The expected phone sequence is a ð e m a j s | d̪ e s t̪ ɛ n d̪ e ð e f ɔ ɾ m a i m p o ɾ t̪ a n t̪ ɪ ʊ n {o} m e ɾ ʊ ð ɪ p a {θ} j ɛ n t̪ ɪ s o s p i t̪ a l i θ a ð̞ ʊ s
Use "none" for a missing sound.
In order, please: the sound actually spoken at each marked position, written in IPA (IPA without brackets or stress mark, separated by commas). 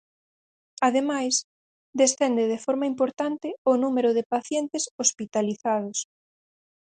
u, θ